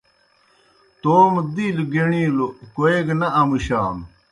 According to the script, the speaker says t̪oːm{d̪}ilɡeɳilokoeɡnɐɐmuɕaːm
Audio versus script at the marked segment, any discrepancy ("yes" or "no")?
no